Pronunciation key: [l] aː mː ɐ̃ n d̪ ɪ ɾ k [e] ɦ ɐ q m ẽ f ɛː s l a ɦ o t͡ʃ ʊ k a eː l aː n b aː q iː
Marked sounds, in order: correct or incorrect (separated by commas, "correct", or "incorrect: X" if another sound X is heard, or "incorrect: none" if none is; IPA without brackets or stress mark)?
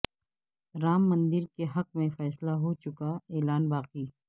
incorrect: ɾ, correct